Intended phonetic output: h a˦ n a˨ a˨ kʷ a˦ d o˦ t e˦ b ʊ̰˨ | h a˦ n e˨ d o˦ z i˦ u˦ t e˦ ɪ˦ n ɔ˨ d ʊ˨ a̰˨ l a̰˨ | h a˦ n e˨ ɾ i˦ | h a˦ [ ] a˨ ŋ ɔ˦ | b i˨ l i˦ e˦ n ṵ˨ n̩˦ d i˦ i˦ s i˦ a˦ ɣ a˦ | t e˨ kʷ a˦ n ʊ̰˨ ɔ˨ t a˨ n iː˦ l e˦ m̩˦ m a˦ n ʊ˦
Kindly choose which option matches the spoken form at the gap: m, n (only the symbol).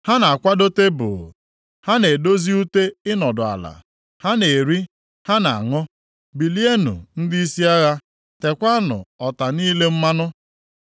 n